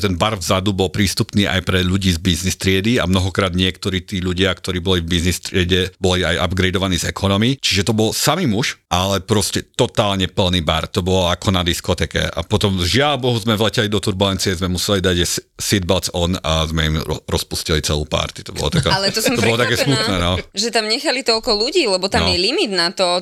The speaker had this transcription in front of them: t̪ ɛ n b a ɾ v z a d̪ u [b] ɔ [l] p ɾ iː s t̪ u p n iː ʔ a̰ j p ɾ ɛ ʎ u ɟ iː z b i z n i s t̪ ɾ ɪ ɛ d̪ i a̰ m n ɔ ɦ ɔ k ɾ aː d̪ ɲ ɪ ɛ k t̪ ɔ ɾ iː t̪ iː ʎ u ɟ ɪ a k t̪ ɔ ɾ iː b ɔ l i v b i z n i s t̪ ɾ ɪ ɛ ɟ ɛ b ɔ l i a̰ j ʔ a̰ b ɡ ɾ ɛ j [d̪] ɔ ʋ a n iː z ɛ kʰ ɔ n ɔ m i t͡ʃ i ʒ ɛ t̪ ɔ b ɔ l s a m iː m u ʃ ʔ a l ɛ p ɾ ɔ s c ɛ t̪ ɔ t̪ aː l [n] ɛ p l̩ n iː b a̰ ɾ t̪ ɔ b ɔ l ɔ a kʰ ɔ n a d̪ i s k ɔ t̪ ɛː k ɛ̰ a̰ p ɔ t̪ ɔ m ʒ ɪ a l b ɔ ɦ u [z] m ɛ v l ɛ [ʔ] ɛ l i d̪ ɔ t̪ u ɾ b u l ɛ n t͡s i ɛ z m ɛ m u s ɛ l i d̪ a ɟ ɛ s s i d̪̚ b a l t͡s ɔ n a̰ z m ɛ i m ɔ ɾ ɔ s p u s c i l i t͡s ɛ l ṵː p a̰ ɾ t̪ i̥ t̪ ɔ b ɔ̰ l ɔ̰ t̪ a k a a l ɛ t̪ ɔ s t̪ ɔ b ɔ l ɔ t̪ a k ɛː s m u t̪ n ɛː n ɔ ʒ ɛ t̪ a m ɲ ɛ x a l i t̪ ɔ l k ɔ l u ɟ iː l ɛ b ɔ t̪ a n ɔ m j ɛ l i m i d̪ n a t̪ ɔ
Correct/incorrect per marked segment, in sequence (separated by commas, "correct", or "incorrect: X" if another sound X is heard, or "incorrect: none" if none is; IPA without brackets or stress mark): correct, correct, correct, incorrect: ɲ, correct, incorrect: c